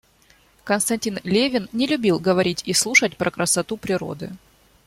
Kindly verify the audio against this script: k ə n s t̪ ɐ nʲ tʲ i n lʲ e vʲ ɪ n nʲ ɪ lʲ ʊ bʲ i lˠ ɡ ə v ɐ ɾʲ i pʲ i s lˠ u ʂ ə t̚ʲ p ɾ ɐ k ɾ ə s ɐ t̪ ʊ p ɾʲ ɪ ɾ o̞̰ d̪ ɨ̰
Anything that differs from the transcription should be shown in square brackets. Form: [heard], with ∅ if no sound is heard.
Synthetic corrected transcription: k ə n s t̪ ɐ nʲ tʲ i n lʲ e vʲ ɪ n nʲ ɪ lʲ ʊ bʲ i lˠ ɡ ə v ɐ ɾʲ i [tʲ] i s lˠ u ʂ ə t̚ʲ p ɾ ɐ k ɾ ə s ɐ t̪ [u] p ɾʲ ɪ ɾ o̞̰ d̪ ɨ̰